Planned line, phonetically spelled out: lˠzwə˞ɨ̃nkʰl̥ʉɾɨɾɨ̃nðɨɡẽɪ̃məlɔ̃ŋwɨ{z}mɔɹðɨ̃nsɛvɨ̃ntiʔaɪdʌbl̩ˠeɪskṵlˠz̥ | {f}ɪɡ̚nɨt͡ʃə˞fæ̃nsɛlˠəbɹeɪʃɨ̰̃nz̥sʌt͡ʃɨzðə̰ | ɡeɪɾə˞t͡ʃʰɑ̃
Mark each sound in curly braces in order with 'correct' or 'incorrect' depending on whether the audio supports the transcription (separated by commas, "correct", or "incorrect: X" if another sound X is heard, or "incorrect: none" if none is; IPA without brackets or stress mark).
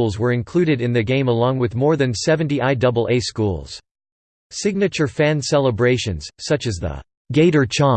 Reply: incorrect: ð, incorrect: s